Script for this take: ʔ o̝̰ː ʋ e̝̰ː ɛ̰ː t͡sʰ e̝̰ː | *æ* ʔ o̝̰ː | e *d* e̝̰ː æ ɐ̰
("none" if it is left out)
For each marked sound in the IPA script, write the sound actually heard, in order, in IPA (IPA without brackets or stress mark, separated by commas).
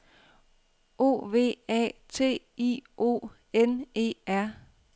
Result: i, n